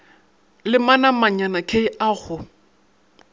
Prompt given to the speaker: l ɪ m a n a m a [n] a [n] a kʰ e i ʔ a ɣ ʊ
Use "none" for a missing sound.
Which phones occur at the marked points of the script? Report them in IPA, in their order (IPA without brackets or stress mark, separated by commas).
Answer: ɲ, n